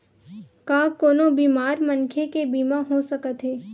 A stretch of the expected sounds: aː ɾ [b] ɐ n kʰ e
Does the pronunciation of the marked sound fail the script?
yes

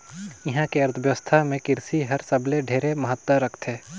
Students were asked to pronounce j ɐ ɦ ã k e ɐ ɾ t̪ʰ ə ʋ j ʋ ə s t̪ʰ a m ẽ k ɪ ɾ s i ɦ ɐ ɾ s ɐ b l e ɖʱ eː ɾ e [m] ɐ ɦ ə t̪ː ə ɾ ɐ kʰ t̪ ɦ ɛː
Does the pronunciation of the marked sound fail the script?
no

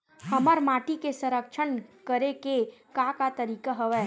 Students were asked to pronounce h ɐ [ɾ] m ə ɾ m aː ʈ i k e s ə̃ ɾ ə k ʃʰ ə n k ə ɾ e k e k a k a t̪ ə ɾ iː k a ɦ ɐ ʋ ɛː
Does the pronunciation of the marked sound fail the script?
yes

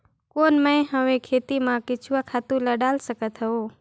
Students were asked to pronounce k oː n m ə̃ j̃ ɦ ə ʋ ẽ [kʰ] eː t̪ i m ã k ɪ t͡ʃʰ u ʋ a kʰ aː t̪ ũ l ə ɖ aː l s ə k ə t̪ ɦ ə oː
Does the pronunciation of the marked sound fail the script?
no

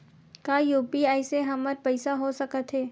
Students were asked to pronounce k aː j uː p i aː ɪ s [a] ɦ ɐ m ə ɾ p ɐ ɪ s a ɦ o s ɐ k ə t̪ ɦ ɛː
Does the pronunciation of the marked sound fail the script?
yes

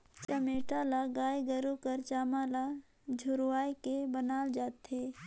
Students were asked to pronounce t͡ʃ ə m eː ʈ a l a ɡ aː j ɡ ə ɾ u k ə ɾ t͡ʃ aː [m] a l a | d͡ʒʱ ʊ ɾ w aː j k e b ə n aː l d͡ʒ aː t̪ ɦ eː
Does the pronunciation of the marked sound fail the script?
no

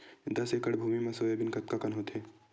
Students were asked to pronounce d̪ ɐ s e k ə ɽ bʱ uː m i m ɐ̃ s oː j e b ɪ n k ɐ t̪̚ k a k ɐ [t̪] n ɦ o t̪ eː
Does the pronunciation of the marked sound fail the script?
yes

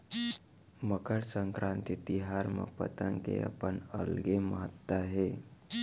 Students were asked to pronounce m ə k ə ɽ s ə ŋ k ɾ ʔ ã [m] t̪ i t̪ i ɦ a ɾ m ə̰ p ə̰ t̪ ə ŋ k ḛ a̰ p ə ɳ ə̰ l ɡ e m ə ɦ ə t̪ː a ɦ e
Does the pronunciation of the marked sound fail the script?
yes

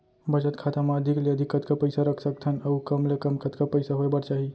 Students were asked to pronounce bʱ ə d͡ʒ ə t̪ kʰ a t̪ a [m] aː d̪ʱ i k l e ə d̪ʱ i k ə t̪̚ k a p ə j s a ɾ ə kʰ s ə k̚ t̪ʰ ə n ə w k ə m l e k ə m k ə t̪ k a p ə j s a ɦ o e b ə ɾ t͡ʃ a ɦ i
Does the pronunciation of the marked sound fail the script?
no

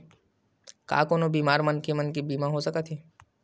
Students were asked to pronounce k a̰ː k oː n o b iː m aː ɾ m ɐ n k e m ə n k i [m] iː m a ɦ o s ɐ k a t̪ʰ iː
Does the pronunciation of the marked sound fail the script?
yes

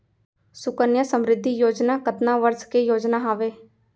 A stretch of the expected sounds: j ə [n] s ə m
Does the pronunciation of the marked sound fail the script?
yes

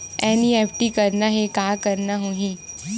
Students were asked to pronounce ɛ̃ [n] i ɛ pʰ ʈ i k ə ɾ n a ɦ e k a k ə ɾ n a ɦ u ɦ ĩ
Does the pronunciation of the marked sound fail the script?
no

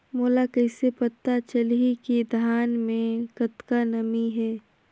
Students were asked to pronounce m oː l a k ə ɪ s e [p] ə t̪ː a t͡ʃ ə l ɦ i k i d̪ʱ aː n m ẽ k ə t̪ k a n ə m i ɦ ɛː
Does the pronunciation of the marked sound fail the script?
no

